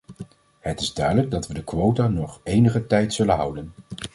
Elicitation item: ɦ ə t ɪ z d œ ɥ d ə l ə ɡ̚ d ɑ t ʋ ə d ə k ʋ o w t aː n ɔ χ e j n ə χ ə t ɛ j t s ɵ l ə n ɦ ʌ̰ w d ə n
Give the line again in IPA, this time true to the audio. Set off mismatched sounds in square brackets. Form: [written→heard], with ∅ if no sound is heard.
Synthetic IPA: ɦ ə t ɪ z d œ ɥ d ə l ə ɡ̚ d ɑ t ʋ ə d ə k ʋ o w t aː n ɔ χ e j n ə χ ə t ɛ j t s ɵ l ə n ɦ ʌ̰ w d ə n